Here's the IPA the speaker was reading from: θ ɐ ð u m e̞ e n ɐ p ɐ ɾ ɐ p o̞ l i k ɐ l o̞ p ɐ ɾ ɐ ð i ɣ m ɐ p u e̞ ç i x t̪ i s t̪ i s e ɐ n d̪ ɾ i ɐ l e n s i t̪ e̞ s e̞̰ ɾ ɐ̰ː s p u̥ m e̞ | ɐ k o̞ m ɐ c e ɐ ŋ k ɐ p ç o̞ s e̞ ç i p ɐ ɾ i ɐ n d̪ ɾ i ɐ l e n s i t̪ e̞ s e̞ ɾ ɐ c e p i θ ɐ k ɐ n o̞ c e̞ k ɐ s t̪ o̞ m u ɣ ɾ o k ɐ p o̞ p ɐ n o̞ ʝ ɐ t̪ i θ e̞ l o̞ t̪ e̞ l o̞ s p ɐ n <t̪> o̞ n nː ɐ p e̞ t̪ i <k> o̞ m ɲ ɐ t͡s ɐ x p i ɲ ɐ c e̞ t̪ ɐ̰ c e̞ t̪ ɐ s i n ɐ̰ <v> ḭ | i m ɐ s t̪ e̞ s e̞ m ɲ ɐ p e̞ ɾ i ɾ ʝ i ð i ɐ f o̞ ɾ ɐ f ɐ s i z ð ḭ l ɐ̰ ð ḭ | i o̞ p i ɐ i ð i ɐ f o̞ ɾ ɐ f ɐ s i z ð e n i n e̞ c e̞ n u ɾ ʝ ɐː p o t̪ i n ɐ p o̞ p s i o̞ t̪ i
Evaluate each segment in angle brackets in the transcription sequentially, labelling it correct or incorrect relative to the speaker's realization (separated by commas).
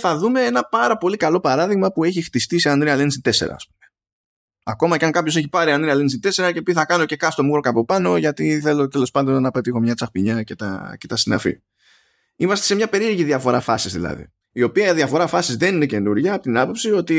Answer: incorrect, incorrect, incorrect